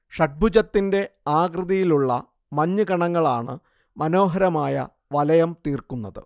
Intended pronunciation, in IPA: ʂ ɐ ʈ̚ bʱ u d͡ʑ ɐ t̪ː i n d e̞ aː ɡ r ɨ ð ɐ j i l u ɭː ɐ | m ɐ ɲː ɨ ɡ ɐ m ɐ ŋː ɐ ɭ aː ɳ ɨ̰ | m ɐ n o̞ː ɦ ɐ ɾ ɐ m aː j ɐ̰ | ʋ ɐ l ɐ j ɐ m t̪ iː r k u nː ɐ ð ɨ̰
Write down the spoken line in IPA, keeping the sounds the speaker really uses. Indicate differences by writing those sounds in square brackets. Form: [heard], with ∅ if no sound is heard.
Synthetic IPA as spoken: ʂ ɐ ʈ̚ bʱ u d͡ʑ ɐ t̪ː i n d e̞ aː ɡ r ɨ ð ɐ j i l u ɭː ɐ | m ɐ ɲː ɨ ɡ ɐ [ɳ] ɐ ŋː ɐ ɭ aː ɳ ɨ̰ | m ɐ n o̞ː ɦ ɐ ɾ ɐ m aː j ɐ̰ | ʋ ɐ l ɐ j ɐ m t̪ iː r k u nː ɐ ð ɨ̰